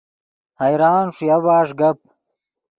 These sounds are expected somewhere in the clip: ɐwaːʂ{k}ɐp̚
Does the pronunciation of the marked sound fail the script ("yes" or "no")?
yes